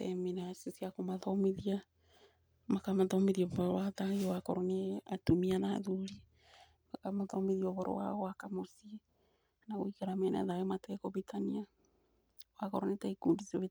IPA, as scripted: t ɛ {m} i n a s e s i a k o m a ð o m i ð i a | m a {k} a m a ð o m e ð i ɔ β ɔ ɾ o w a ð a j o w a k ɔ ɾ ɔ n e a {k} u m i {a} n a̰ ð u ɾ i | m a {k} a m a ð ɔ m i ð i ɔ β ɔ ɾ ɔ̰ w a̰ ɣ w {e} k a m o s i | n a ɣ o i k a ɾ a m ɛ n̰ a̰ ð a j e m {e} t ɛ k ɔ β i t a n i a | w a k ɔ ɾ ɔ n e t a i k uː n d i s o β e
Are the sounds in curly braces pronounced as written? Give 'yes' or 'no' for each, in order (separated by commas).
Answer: yes, yes, no, yes, yes, no, no